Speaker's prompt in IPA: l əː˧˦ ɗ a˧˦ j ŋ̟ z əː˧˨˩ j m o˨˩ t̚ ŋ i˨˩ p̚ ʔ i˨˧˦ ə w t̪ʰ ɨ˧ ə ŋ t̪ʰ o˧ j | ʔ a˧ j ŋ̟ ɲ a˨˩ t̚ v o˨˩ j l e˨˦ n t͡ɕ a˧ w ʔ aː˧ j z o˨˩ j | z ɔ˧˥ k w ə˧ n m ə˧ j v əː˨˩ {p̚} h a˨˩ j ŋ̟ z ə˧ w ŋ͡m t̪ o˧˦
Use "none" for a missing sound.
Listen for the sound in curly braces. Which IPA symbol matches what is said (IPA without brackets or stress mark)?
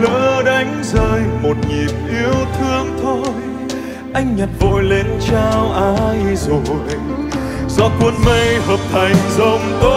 p̚